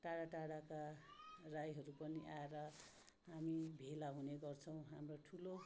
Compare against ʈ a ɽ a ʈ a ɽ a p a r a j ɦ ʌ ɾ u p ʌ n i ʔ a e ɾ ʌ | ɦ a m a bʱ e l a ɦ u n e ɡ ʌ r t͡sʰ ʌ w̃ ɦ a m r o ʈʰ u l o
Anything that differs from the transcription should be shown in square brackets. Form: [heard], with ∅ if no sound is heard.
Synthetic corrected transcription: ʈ a ɽ a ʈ a ɽ a [k] a r a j ɦ ʌ ɾ u p ʌ n i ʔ a e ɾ ʌ | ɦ a m [i] bʱ e l a ɦ u n e ɡ ʌ r t͡sʰ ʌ w̃ ɦ a m r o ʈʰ u l o